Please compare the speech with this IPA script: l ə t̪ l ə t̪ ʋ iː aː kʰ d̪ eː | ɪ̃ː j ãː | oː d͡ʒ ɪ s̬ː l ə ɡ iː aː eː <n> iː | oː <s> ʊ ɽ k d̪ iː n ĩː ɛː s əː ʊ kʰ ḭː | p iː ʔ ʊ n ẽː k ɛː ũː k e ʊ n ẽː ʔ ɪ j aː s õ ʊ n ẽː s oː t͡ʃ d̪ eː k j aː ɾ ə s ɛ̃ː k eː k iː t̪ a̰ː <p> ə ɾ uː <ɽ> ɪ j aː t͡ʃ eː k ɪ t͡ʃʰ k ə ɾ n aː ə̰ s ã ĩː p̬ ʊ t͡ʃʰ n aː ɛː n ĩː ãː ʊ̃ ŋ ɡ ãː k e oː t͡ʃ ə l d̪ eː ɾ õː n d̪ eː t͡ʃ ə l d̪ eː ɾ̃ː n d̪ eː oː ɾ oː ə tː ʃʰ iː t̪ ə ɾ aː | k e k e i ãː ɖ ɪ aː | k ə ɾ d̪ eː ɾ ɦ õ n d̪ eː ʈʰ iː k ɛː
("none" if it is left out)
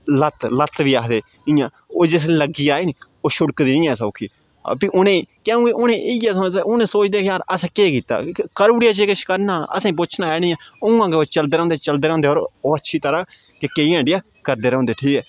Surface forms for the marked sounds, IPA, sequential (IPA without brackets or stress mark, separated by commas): n, ʃ, k, ɽ